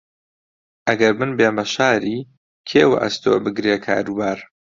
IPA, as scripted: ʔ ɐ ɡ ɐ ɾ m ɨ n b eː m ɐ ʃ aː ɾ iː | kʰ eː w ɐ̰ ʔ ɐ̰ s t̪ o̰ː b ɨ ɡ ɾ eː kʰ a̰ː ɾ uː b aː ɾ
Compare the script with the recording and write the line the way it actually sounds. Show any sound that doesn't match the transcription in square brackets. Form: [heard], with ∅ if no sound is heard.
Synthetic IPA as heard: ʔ ɐ ɡ ɐ ɾ m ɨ n b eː m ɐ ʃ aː ɾ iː | kʰ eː w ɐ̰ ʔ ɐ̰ s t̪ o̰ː b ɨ ɡ ɾ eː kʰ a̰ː ɾ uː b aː ɾ